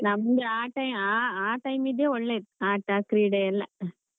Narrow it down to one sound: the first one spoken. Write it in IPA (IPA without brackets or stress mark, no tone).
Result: n